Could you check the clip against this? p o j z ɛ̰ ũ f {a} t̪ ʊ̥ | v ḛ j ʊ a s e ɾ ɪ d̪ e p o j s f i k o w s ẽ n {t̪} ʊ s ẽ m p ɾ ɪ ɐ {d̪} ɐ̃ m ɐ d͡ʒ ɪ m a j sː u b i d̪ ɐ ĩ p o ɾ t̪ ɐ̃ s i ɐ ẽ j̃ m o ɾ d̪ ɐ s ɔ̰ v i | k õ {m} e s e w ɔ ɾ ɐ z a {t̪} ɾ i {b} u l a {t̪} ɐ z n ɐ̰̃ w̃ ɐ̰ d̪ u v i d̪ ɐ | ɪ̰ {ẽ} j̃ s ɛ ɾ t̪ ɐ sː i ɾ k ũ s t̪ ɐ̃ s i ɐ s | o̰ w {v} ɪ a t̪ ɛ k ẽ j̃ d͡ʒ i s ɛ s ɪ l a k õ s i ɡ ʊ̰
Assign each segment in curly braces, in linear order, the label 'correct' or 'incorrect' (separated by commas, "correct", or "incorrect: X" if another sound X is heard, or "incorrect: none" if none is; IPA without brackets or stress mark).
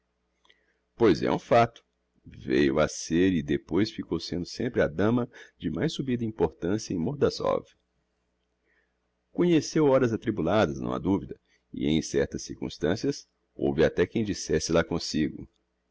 correct, incorrect: d̪, correct, incorrect: ɲ, correct, correct, incorrect: d̪, correct, correct